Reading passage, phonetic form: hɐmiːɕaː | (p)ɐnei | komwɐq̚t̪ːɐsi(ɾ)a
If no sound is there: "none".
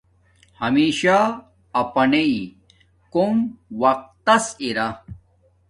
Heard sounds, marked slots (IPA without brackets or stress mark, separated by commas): p, ɾ